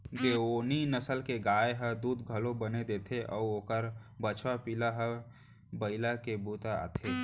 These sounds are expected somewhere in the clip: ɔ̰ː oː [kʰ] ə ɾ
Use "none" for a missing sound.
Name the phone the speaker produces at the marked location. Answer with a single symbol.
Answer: k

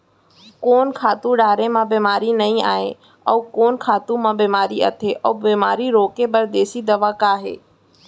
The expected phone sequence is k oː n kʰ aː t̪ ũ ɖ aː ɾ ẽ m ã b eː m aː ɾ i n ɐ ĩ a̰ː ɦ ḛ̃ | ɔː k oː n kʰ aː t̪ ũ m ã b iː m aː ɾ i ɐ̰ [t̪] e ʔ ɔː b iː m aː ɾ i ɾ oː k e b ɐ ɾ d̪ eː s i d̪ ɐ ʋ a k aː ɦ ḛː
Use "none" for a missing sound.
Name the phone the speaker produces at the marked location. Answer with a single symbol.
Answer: t̪ʰ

